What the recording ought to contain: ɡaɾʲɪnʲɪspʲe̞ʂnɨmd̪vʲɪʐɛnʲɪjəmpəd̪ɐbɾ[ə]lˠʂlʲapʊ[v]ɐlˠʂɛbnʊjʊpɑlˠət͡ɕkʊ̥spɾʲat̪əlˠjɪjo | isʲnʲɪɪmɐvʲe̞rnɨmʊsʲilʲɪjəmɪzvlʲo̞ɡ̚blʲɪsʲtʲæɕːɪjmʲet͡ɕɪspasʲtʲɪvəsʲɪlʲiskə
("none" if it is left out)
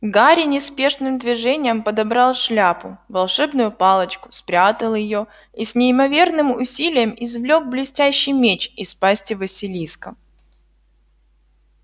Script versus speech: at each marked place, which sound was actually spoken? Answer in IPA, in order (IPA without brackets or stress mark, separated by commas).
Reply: ɑ, v